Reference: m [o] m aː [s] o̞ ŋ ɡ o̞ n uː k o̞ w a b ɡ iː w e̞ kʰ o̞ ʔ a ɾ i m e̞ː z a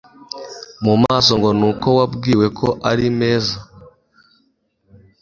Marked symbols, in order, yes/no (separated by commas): no, yes